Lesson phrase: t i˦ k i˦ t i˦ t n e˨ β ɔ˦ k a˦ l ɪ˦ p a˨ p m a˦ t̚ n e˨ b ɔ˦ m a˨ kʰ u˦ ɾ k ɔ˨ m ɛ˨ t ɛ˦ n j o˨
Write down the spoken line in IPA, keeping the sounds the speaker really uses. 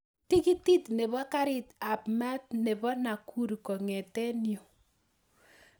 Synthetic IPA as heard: t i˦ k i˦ t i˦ t n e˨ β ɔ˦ k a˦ ɾ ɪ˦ t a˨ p m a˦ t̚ n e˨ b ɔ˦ n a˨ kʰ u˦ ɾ k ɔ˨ ŋ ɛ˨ t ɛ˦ n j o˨